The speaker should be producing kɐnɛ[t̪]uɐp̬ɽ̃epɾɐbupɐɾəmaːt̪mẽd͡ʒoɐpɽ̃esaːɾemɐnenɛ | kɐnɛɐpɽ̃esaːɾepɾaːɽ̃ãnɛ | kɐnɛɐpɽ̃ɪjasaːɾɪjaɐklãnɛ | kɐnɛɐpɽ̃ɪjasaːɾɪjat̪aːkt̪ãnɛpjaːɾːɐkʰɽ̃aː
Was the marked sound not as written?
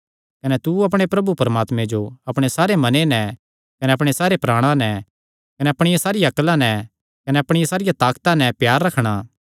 no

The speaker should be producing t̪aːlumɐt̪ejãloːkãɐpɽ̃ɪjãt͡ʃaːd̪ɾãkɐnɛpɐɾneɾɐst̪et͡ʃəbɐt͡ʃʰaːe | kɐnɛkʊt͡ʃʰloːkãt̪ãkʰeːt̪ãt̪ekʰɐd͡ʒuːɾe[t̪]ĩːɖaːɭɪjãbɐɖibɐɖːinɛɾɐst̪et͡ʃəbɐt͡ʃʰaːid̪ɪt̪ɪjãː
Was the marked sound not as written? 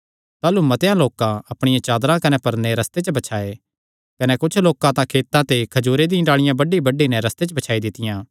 yes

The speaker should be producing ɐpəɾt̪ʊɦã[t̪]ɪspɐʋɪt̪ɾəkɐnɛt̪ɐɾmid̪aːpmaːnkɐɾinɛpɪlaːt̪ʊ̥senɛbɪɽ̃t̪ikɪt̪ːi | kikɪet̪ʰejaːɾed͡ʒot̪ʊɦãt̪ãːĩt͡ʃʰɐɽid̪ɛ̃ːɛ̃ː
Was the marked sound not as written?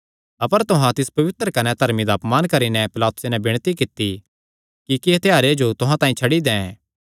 no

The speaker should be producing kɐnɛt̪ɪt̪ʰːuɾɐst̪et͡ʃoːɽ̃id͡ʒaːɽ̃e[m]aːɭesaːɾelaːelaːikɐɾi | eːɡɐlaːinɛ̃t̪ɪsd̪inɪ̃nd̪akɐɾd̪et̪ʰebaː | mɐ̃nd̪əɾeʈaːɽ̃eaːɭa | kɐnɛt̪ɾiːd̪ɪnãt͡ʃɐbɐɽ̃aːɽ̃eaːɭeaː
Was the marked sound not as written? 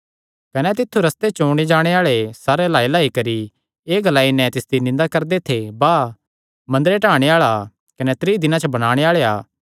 yes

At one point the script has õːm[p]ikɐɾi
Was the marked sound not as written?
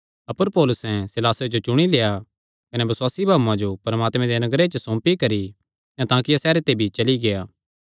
no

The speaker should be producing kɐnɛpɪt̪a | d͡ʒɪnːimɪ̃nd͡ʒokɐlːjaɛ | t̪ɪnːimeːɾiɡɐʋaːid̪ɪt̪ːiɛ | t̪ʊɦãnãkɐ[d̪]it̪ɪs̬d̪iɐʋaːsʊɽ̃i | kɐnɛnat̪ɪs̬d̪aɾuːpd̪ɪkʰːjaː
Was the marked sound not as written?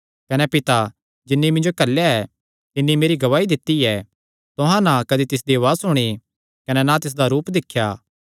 no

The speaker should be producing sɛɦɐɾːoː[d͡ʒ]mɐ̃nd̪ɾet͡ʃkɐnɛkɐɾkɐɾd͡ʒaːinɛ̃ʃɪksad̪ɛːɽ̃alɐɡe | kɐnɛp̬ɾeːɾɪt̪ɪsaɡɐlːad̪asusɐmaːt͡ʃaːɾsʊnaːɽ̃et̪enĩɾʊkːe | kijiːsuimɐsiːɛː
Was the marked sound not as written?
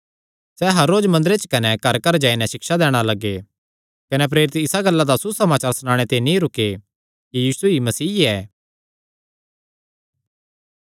no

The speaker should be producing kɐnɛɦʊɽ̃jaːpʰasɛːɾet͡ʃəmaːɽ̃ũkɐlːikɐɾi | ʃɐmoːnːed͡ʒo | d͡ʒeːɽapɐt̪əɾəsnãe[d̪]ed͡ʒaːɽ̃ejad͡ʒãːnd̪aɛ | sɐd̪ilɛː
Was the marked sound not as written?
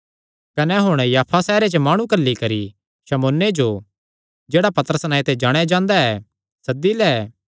yes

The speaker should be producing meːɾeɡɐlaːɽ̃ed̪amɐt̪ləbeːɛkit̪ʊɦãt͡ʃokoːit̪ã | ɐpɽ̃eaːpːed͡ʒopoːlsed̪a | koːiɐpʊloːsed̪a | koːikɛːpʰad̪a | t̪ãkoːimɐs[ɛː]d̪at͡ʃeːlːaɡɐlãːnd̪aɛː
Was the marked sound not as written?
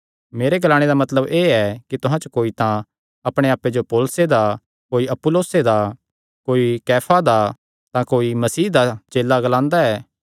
yes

